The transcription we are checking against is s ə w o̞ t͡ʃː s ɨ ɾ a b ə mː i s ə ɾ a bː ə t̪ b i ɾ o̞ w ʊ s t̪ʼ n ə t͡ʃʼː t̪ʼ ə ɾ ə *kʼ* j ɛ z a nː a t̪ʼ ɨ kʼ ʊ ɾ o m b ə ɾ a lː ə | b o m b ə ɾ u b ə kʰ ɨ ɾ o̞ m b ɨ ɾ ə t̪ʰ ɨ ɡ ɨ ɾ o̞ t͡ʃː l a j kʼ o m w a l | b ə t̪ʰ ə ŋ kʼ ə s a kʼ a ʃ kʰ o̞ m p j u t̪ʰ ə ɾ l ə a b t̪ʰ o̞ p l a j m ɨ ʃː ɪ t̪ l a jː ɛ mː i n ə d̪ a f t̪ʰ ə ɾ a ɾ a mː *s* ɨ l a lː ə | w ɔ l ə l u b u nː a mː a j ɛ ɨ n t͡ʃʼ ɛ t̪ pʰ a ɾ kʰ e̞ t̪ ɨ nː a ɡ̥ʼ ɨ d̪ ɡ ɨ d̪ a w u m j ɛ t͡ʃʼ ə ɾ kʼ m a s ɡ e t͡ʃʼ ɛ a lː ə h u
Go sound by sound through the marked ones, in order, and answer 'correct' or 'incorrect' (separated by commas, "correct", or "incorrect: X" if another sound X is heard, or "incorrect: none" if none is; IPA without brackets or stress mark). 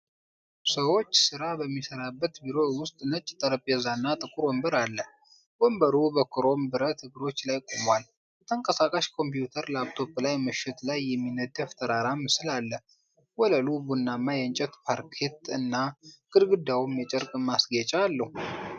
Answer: incorrect: pʼ, correct